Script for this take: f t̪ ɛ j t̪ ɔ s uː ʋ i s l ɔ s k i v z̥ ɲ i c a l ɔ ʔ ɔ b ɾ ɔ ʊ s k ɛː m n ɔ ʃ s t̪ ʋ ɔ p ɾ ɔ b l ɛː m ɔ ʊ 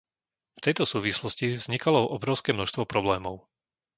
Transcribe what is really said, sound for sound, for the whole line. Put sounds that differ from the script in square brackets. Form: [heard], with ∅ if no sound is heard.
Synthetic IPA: f t̪ ɛ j t̪ ɔ s uː ʋ i s l ɔ s [c] i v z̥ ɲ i [k] a l ɔ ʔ ɔ b ɾ ɔ ʊ s k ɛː m n ɔ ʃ s t̪ ʋ ɔ p ɾ ɔ b l ɛː m ɔ ʊ